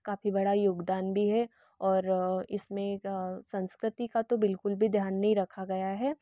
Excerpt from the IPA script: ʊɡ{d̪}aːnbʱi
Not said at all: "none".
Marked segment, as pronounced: d̪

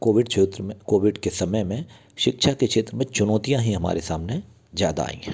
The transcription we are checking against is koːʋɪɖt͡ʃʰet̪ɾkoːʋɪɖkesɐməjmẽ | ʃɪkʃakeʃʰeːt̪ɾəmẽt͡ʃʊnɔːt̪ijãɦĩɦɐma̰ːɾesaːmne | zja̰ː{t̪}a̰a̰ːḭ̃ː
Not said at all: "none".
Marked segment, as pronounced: d̪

